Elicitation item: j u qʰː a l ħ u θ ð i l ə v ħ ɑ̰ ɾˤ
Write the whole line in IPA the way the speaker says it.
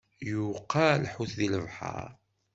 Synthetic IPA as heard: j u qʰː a l ħ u θ ð i l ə v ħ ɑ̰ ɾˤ